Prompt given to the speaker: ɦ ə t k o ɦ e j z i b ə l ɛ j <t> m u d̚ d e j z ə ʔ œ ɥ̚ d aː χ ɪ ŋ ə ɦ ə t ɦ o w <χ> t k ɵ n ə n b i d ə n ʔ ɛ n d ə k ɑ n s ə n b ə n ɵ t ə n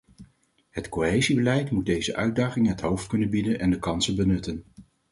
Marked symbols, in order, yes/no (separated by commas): yes, no